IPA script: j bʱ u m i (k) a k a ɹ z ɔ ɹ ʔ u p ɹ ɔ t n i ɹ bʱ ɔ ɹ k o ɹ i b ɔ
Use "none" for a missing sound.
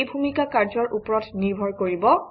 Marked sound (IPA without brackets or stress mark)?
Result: k